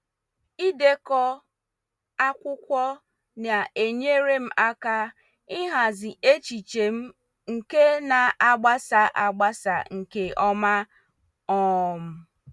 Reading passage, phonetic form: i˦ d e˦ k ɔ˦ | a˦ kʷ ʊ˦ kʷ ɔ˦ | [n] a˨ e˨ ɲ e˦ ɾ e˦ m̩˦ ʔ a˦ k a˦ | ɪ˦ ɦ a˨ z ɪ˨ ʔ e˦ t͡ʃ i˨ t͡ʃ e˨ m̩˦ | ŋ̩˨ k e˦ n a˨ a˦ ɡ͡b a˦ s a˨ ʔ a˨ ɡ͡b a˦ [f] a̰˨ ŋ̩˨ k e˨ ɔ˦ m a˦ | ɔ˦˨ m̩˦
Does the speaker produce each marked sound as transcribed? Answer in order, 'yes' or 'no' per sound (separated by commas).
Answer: yes, no